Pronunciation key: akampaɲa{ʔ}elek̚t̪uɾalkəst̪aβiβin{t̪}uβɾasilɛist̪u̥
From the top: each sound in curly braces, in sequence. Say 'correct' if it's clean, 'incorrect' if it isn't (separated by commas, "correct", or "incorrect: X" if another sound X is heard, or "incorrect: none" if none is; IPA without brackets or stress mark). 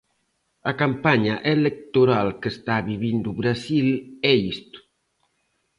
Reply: correct, incorrect: d̪